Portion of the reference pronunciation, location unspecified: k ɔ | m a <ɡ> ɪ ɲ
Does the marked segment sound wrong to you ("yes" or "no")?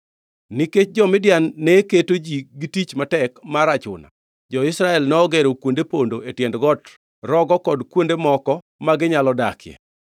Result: no